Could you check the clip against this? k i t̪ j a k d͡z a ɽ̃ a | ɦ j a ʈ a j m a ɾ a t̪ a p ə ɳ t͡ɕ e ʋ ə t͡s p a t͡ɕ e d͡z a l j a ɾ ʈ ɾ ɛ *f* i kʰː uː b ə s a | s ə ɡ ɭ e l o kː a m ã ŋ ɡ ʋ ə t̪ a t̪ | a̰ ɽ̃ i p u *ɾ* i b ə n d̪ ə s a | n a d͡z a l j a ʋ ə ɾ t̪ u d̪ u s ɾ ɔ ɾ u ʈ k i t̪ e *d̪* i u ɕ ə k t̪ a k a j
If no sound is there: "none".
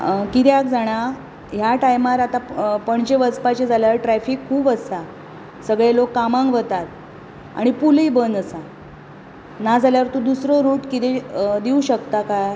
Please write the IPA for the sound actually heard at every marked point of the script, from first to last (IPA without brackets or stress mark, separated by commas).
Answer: f, l, d̪